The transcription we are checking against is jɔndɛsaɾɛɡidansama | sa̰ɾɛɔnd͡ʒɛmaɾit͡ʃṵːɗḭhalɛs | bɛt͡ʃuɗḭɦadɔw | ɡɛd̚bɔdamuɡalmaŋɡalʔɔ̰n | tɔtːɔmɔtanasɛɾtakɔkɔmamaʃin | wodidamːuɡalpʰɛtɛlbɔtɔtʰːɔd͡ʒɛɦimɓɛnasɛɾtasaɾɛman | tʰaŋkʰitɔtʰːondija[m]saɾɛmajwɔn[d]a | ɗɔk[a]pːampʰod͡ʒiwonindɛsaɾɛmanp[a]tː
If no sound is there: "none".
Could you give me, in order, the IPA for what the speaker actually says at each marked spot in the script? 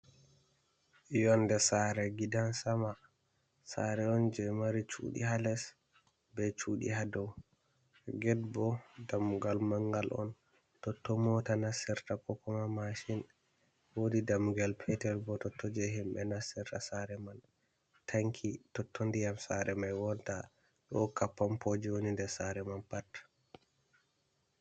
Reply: m, t, a, a

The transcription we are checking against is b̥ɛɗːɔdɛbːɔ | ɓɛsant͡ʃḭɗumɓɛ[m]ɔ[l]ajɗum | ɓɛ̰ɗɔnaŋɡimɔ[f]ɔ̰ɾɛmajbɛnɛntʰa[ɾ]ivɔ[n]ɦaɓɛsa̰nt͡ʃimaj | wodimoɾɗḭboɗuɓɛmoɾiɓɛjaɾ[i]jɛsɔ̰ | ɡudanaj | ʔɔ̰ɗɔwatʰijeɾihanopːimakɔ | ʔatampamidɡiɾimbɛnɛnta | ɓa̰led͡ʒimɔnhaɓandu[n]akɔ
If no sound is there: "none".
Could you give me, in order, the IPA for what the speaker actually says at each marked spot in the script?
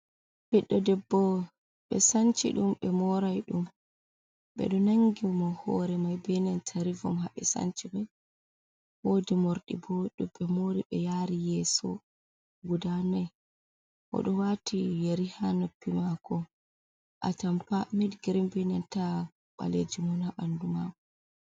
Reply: m, ɾ, h, ɾ, m, i, m

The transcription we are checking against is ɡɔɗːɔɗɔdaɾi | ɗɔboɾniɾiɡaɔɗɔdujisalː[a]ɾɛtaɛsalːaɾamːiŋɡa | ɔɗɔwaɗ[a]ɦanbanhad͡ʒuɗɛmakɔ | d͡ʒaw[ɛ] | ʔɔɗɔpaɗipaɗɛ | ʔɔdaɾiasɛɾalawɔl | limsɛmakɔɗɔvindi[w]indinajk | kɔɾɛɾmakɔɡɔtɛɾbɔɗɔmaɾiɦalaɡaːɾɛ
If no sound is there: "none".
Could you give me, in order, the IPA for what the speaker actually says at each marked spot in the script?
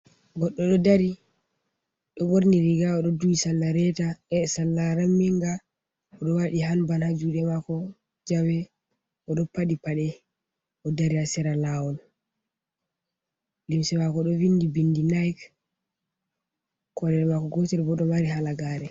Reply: a, i, ɛ, b

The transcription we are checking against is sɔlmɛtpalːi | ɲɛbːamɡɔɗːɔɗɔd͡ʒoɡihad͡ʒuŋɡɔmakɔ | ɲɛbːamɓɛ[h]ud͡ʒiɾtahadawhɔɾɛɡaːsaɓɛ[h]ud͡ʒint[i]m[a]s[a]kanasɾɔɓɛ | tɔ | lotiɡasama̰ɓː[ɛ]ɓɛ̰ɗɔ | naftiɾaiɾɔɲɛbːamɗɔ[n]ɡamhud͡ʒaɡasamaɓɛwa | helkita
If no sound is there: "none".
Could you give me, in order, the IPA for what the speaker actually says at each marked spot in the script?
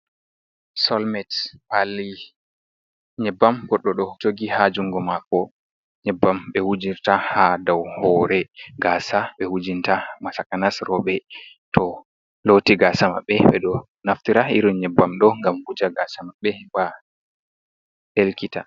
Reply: h, h, a, a, a, ɛ, ŋ

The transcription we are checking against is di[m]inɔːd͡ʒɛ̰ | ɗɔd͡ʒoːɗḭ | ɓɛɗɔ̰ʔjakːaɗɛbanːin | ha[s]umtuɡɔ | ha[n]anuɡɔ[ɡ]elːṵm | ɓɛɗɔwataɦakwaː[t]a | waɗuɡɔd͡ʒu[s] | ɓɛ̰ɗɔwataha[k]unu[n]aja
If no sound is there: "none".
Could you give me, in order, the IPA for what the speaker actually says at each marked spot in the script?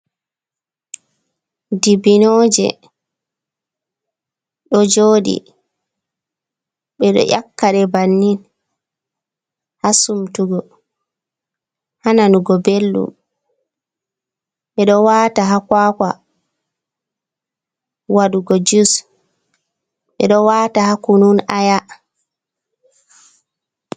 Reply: b, s, n, b, k, s, k, n

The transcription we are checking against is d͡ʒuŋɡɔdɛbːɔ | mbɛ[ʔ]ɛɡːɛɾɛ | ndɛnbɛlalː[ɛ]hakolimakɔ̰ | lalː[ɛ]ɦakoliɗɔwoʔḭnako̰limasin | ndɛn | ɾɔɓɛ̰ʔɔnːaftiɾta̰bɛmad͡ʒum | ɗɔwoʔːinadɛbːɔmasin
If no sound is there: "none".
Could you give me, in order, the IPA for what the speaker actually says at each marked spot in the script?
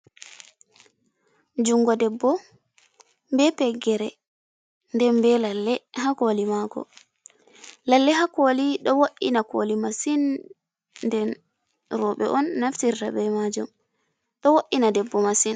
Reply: p, ɛ, ɛ

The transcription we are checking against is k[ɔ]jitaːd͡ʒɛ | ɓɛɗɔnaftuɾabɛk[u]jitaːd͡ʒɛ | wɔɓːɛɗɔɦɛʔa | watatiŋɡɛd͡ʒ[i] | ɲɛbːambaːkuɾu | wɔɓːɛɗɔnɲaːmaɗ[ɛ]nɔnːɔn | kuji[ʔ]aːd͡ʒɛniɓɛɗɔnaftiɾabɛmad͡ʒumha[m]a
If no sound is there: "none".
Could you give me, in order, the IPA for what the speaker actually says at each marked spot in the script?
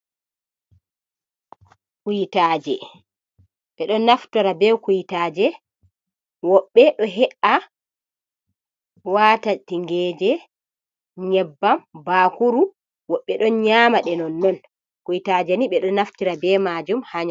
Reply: u, u, ɛ, ɛ, t, ɲ

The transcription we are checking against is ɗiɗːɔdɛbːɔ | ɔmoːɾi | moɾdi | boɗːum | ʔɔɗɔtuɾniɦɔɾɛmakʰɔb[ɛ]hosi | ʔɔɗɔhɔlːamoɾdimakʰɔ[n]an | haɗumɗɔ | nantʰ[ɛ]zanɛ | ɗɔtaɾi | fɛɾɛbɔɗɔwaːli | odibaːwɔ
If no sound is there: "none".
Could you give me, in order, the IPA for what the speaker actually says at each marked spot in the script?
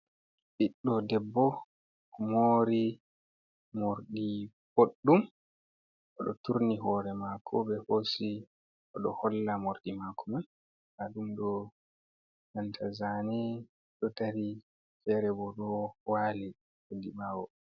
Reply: ɛ, m, a

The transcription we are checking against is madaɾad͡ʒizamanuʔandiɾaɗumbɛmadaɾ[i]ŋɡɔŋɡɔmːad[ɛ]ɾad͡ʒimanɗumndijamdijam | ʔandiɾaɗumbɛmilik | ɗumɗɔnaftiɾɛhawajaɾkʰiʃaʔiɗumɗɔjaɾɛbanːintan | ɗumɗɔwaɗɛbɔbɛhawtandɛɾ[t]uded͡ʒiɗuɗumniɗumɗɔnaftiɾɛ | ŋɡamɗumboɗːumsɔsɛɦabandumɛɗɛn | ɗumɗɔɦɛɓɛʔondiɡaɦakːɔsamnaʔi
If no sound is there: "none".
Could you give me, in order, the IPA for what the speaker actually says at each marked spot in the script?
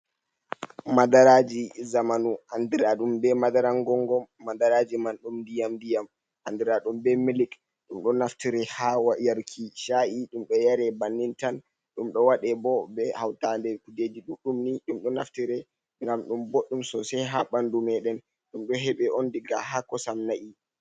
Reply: a, a, k

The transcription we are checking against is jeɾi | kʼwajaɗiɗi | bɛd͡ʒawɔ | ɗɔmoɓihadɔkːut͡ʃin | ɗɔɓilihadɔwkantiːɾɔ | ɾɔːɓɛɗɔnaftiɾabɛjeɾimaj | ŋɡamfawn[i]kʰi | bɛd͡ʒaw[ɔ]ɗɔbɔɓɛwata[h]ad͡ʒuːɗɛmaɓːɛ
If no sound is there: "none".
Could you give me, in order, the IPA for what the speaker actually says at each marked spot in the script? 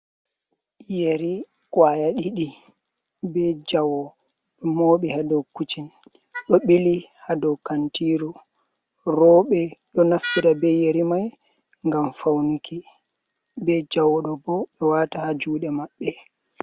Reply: i, ɔ, h

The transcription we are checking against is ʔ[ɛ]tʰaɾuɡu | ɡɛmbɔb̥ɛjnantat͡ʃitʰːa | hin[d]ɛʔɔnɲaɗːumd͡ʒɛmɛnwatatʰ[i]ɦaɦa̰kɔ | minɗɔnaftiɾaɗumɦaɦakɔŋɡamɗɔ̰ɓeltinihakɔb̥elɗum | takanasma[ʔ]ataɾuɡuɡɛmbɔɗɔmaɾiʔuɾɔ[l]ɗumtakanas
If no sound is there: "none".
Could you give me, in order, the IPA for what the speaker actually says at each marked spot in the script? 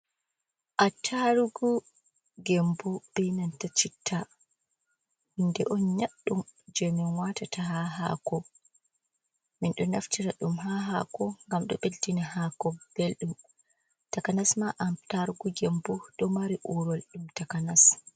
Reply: a, d, a, ʔ, l

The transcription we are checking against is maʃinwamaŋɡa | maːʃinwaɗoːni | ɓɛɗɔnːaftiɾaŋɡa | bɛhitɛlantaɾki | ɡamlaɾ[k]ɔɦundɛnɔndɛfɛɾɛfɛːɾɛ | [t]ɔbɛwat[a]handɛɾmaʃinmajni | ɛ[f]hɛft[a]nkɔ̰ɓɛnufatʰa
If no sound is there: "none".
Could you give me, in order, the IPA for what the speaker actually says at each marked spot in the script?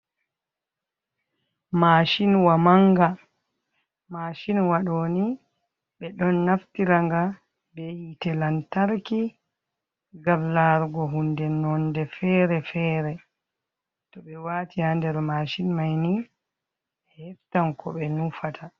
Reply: ɡ, t, i, h, a

